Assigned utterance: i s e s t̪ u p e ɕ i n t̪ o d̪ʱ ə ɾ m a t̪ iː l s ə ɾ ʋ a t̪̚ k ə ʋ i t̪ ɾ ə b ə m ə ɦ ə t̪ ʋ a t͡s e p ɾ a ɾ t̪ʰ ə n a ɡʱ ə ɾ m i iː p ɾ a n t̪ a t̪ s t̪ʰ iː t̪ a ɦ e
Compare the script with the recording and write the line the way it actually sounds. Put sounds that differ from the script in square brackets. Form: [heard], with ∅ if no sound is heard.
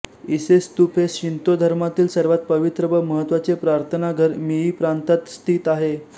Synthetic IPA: i s e s t̪ u p e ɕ i n t̪ o d̪ʱ ə ɾ m a t̪ iː l s ə ɾ ʋ a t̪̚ [p] ə ʋ i t̪ ɾ ə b ə m ə ɦ ə t̪ ʋ a t͡s e p ɾ a ɾ t̪ʰ ə n a ɡʱ ə ɾ m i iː p ɾ a n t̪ a t̪ s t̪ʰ iː t̪ a ɦ e